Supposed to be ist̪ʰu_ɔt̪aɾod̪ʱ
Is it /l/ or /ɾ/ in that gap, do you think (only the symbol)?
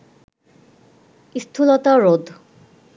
l